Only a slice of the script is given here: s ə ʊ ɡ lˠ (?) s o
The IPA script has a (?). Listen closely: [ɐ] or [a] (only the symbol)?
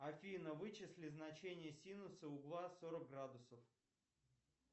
a